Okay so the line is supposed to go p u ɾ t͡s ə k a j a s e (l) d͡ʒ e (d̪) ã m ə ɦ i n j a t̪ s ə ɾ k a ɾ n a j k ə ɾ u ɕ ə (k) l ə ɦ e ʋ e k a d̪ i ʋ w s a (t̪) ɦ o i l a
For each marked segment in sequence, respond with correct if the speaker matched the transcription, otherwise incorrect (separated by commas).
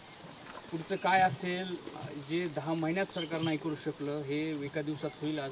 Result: correct, correct, correct, correct